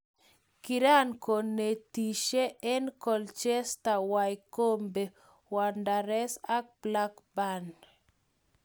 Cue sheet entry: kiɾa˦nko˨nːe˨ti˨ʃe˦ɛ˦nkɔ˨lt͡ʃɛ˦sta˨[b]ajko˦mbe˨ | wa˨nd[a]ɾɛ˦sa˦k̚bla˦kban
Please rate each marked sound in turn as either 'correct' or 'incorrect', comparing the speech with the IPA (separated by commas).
incorrect, correct